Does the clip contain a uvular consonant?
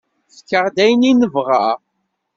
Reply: yes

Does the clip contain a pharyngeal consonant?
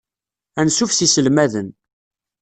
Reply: no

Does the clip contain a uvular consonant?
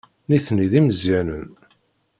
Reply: no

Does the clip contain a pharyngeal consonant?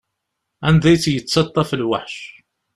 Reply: yes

